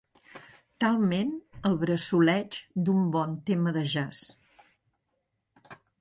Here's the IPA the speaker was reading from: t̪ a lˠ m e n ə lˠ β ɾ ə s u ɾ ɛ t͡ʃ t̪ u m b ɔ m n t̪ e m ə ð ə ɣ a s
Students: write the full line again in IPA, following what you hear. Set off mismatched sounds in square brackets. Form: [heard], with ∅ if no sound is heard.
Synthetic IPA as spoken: t̪ a lˠ m e n ə lˠ β ɾ ə s u [l] ɛ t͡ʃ [d̪] u m b ɔ [∅] n t̪ e m ə ð ə [ʒ] a s